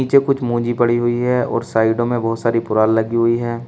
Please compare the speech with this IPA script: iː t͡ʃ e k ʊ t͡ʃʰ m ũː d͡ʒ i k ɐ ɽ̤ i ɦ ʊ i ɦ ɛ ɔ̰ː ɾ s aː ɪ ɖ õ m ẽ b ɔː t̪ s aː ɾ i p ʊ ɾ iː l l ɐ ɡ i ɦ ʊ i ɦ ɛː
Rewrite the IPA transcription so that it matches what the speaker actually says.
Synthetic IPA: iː t͡ʃ e k ʊ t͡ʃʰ m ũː d͡ʒ i p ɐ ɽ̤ i ɦ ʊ i ɦ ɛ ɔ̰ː ɾ s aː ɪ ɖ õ m ẽ b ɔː t̪ s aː ɾ i p ʊ ɾ aː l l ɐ ɡ i ɦ ʊ i ɦ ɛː